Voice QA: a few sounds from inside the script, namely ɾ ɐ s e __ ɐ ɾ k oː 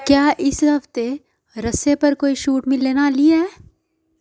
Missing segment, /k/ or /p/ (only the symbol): p